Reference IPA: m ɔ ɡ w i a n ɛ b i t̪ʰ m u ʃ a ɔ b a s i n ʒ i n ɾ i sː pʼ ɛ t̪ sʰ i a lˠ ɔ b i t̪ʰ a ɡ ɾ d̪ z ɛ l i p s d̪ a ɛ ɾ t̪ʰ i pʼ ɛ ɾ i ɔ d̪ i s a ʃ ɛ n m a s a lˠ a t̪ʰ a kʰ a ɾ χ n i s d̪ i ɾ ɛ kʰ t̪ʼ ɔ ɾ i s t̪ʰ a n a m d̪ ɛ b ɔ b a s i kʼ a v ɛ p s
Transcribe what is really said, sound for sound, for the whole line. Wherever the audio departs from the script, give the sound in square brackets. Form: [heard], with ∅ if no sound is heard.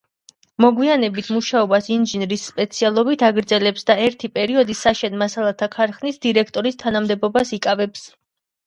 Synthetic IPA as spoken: m ɔ ɡ w i a n ɛ b i t̪ʰ m u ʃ a ɔ b a s i n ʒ i n ɾ i sː pʼ ɛ t̪ sʰ i a lˠ ɔ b i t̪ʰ a ɡ ɾ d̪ z ɛ l [ɛ] p s d̪ a ɛ ɾ t̪ʰ i pʼ ɛ ɾ i ɔ d̪ i s a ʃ ɛ n m a s a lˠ a t̪ʰ a kʰ a ɾ χ n i s d̪ i ɾ ɛ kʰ t̪ʼ ɔ ɾ i s t̪ʰ a n a m d̪ ɛ b ɔ b a s i kʼ a v ɛ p s

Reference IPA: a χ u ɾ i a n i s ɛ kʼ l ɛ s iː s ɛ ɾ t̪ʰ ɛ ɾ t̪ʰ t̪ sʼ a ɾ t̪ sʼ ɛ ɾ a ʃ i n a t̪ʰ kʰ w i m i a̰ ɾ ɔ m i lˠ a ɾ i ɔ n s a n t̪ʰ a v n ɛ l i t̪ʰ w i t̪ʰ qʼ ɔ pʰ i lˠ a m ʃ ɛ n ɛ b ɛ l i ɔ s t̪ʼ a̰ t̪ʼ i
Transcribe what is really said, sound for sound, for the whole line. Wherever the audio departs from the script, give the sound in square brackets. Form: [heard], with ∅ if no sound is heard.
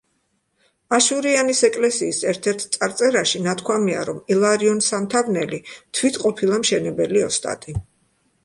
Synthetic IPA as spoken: a [ʃ] u ɾ i a n i s ɛ kʼ l ɛ s iː s ɛ ɾ t̪ʰ ɛ ɾ t̪ʰ t̪ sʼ a ɾ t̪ sʼ ɛ ɾ a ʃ i n a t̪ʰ kʰ w [a] m i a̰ ɾ ɔ m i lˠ a ɾ i ɔ n s a [m] t̪ʰ a v n ɛ l i t̪ʰ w i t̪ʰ qʼ ɔ pʰ i lˠ a m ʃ ɛ n ɛ b ɛ l i ɔ s t̪ʼ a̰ t̪ʼ i

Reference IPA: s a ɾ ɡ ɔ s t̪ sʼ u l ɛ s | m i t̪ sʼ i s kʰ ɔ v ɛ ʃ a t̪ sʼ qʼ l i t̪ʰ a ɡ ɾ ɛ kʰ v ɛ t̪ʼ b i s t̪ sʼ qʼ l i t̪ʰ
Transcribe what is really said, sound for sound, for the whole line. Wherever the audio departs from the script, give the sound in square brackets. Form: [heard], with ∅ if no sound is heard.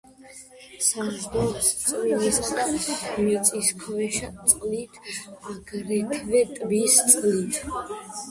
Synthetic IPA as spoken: s a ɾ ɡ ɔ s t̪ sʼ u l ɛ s | m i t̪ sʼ i s kʰ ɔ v ɛ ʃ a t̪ sʼ qʼ l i t̪ʰ a ɡ ɾ ɛ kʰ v ɛ t̪ʼ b i s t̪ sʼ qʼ l i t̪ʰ

